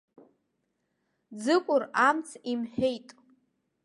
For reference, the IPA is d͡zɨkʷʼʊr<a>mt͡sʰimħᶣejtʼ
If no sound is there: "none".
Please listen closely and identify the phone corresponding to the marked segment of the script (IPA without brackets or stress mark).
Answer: a